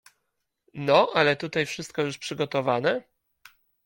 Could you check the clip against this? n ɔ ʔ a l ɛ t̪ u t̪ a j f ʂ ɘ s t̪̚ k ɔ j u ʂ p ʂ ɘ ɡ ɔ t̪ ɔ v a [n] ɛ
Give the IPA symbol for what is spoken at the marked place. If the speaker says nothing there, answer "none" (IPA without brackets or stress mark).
n